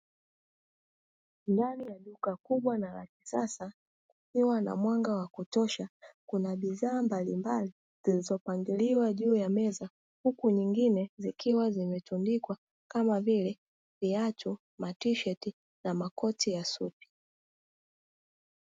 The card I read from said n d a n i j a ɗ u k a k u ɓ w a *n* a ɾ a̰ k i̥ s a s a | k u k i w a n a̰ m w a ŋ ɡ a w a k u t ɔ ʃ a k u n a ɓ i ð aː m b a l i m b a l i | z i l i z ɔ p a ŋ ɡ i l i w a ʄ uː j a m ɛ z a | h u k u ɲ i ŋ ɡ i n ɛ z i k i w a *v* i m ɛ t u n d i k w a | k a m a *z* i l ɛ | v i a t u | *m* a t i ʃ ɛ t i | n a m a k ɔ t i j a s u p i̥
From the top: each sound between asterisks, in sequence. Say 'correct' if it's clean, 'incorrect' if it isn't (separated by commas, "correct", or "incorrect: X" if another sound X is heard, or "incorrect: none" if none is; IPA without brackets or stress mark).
correct, incorrect: z, incorrect: v, correct